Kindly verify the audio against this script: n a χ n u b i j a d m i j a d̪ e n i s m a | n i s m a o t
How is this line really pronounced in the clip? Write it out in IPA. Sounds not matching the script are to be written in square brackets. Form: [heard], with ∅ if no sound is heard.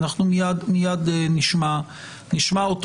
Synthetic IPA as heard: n a χ n u [m] i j a d m i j a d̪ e n i [ʃ] m a | n i [ʃ] m a o t

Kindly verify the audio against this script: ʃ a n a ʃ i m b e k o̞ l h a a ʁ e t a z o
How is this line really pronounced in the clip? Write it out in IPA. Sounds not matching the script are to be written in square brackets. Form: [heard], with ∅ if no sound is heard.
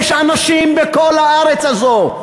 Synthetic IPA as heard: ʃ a n a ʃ i m b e k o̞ l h a a ʁ e [t͡s] a z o

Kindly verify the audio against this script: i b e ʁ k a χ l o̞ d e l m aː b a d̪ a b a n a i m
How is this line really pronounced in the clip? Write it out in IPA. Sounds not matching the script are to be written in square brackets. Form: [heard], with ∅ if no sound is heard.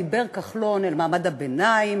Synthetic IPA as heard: i b e ʁ k a χ l o̞ [n] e l m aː [m] a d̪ a b [e] n a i m

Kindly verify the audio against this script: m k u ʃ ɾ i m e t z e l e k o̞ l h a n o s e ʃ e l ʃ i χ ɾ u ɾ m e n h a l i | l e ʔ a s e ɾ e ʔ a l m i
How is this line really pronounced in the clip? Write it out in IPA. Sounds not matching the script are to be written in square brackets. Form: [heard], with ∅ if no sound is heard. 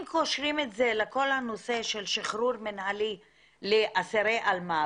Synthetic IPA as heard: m k [o] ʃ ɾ i m e t z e l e k o̞ l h a n o s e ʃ e l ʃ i χ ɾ u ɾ m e n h a l i | l e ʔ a s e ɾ e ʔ a l m [a]

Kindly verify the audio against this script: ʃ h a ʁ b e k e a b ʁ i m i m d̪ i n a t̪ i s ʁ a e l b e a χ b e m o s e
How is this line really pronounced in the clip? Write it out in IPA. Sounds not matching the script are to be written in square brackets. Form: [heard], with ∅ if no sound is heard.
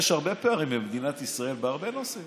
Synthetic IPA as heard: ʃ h a ʁ b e [p] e a [∅] ʁ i m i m d̪ i n a t̪ i s ʁ a e l b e a [ʁ] b e [n] o s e

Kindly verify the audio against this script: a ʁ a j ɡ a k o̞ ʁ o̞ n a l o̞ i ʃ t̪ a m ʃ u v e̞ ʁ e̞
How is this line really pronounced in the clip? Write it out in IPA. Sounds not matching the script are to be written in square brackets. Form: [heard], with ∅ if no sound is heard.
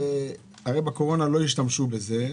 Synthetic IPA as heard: a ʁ [e] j [b] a k o̞ ʁ o̞ n a l o̞ i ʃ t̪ a m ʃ u [b] e̞ [z] e̞

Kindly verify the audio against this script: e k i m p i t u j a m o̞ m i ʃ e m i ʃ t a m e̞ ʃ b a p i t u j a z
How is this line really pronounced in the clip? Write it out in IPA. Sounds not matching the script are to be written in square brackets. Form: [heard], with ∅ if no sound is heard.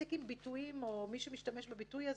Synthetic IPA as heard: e k i m [b] i t u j [i] m o̞ m i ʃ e m i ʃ t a m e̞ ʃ b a [b] i t u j a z

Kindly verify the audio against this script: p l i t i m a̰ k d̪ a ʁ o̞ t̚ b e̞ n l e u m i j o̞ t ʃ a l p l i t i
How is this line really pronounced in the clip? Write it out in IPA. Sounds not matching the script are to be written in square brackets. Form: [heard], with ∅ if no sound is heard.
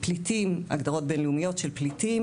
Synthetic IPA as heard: p l i t i m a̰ [ɡ] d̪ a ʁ o̞ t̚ b e̞ n l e u m i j o̞ t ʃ [e] l p l i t i

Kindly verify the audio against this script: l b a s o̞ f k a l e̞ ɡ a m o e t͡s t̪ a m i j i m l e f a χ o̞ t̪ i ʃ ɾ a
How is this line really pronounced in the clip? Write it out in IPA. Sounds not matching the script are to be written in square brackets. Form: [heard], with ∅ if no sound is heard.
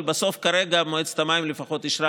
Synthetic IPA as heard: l b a s o̞ f k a [ɾ] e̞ ɡ a m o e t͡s t̪ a m [a] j i m l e f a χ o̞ t̪ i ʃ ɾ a

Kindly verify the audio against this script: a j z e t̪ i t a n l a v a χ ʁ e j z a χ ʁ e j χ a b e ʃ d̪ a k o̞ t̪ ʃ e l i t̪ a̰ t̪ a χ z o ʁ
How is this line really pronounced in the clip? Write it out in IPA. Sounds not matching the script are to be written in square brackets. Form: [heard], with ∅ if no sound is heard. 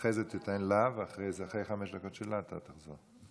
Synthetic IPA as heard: [e] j z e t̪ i t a n l a v a χ ʁ e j z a χ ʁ e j χ a [m] e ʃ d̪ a k o̞ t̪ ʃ e l [a] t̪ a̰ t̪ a χ z o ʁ

